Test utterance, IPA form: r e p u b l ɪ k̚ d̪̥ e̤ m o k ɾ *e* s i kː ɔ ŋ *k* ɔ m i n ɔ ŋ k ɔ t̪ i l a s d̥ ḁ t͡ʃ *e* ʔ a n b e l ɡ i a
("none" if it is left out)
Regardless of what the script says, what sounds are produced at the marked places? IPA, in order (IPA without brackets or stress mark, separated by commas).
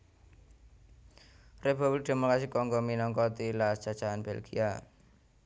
a, ɡ, a